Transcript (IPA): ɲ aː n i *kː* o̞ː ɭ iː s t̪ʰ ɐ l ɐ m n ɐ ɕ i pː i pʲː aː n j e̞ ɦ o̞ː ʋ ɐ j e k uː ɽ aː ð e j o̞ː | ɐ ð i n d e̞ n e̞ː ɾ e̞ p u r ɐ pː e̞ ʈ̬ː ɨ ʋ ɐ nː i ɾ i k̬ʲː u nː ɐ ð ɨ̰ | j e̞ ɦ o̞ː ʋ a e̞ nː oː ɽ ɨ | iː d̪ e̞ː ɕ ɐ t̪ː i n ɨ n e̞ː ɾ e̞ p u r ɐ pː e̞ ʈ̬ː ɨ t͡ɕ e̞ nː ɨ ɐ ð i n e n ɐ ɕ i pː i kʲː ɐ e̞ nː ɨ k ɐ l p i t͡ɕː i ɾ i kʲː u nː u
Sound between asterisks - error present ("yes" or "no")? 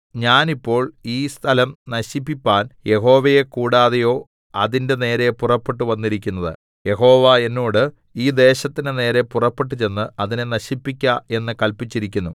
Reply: yes